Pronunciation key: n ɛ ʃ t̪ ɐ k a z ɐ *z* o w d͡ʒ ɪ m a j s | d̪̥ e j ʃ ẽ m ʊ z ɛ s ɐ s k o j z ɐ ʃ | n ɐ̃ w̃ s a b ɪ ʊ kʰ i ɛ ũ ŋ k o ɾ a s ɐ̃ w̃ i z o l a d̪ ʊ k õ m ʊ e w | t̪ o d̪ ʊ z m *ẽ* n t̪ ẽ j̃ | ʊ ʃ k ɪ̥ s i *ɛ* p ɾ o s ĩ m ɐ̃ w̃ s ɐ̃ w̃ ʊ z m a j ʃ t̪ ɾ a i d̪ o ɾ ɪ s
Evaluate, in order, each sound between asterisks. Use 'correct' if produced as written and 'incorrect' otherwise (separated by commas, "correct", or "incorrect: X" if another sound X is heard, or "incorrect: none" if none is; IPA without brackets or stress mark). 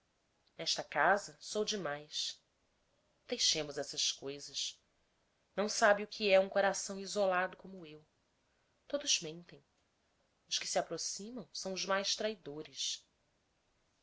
incorrect: s, correct, incorrect: a